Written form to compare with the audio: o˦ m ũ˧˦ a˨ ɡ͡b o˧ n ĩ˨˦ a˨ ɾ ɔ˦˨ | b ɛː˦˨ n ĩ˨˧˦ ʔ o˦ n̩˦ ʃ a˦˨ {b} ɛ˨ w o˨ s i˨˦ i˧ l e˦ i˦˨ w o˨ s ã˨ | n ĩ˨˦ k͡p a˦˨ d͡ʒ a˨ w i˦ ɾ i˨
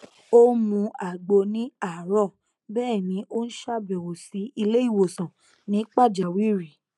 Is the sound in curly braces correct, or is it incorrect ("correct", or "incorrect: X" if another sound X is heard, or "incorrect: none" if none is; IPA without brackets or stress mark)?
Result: correct